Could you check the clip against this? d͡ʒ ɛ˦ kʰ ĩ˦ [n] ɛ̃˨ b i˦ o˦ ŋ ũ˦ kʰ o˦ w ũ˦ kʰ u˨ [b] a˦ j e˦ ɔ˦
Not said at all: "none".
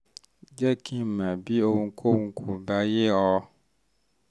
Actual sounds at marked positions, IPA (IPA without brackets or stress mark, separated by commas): m, b